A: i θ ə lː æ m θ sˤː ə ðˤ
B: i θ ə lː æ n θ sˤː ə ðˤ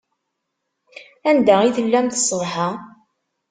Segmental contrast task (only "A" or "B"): A